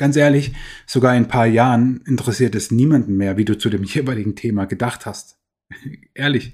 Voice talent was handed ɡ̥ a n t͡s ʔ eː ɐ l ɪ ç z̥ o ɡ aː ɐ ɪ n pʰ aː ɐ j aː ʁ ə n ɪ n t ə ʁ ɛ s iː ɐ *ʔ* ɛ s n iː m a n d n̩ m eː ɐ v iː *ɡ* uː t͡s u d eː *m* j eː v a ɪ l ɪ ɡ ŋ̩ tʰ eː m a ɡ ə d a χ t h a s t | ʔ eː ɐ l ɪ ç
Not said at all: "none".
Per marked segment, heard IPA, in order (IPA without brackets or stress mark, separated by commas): t, d, m